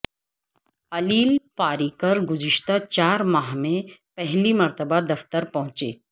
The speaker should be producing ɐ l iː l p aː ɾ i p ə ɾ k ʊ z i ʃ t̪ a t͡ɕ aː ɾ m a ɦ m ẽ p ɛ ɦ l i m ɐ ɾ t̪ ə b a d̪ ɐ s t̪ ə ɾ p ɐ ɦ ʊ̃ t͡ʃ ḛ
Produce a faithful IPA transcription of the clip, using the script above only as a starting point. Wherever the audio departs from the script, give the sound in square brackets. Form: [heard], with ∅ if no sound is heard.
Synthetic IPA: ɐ l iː l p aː ɾ i [k] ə ɾ [ɡ] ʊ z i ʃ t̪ a t͡ɕ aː ɾ m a ɦ m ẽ p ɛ ɦ l i m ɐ ɾ t̪ ə b a d̪ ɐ [f] t̪ ə ɾ p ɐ ɦ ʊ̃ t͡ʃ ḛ